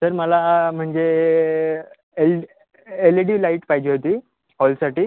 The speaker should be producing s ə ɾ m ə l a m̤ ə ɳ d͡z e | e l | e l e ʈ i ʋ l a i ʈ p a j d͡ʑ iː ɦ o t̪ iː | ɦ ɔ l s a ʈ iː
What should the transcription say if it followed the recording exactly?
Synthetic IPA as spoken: s ə ɾ m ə l a m̤ ə ɳ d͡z e | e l | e l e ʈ i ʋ l a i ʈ p a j d͡ʑ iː ɦ o t̪ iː | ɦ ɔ l s a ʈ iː